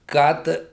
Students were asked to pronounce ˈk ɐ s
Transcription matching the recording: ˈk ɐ t